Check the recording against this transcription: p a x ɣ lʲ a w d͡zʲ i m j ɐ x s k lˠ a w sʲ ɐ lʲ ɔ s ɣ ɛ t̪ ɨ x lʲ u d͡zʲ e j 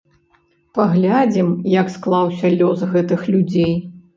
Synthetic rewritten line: p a ɣ lʲ a d͡zʲ i m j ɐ k s k lˠ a w sʲ ɐ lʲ ɔ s ɣ ɛ t̪ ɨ x lʲ u d͡zʲ e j